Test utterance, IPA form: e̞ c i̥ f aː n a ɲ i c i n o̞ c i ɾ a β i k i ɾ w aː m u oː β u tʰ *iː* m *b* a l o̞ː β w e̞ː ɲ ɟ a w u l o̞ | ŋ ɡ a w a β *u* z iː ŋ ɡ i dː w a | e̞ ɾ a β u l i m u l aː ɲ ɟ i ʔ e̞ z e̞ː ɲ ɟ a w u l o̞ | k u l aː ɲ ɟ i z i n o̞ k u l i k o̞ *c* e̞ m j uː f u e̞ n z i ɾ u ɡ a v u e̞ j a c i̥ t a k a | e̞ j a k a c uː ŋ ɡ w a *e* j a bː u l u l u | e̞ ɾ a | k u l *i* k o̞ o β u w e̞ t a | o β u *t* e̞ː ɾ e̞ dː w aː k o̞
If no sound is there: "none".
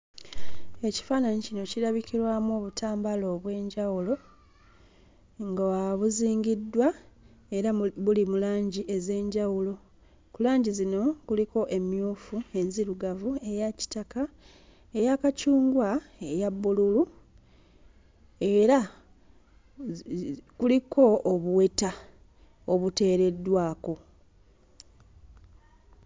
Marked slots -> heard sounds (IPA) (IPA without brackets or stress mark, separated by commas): aː, b, u, ʔ, e, i, t